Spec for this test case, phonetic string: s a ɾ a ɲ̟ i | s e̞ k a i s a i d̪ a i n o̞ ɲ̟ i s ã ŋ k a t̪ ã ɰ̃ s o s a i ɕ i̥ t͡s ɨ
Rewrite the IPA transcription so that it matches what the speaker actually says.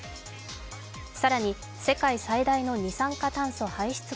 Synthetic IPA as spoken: s a ɾ a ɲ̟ i | s e̞ k a i s a i d̪ a i n o̞ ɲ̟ i s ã ŋ k a t̪ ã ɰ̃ s o h a i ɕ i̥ t͡s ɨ